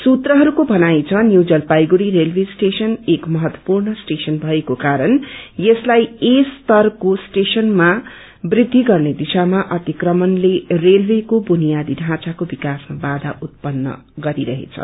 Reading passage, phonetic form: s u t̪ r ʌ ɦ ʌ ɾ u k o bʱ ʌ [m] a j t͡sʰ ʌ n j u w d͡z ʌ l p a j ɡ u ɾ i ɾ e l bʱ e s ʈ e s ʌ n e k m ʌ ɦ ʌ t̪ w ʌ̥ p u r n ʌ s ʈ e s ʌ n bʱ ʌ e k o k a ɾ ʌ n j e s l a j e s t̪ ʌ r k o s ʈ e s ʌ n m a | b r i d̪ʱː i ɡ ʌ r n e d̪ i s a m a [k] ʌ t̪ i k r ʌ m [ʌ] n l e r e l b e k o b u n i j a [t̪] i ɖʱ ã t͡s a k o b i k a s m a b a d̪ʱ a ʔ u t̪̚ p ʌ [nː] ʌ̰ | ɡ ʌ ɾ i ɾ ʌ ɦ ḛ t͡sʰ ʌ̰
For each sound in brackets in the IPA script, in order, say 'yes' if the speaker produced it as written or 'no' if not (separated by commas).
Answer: no, no, yes, no, yes